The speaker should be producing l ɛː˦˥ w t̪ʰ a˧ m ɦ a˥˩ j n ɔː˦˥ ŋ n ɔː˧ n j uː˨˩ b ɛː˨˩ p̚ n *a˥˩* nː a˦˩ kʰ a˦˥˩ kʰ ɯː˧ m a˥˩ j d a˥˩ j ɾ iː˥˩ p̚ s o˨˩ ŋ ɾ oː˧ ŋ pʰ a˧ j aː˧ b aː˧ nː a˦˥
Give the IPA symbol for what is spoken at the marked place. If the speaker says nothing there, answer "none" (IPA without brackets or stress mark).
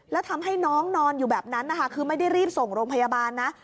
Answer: a˦˥